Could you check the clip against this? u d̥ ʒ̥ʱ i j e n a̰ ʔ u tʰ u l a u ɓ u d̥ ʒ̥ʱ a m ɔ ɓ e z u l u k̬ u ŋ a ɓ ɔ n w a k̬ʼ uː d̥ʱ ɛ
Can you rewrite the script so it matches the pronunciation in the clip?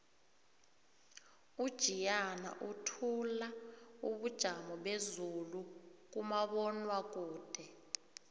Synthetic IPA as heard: u d̥ ʒ̥ʱ i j a n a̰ ʔ u tʰ u l a u ɓ u d̥ ʒ̥ʱ a m ɔ ɓ e z u l u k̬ u m a ɓ ɔ n w a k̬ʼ uː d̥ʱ ɛ